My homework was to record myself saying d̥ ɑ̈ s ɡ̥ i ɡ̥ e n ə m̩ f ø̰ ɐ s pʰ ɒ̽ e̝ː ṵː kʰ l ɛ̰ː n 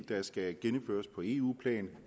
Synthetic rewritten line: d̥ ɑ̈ s ɡ̥ æ ɡ̥ e n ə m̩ f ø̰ ɐ s pʰ ɒ̽ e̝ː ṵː pʰ l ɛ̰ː n